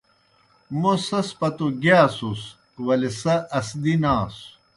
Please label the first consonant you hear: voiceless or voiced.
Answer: voiced